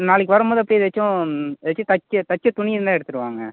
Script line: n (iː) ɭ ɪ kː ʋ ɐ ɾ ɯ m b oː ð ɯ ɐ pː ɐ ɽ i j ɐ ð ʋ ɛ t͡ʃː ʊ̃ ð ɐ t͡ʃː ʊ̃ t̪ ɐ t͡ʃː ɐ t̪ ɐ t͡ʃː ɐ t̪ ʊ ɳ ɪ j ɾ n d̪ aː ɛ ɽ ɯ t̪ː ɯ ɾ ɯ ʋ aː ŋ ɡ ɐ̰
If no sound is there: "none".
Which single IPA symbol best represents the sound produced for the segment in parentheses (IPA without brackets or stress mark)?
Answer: aː